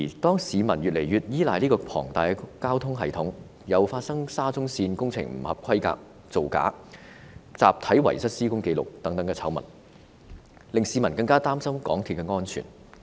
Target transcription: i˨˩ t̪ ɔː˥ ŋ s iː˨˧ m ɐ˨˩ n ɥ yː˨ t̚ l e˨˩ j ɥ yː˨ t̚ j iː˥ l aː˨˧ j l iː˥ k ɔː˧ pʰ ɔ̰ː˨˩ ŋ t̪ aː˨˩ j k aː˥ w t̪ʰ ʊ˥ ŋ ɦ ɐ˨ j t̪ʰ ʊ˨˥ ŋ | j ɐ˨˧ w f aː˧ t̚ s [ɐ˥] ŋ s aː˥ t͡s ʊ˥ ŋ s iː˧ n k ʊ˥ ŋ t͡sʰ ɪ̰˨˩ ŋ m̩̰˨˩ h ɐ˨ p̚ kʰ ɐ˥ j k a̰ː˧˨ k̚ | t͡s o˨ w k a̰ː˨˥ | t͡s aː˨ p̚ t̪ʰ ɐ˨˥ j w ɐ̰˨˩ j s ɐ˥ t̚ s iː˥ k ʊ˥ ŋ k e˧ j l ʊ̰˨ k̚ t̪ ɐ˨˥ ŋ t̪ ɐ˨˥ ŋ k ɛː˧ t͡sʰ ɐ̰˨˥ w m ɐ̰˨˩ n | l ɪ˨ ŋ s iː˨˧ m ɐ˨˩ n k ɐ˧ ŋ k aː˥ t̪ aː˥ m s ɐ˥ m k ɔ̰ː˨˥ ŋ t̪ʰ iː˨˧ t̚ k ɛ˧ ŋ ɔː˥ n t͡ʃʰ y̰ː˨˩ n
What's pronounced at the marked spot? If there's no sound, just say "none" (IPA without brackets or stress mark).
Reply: ɐ˥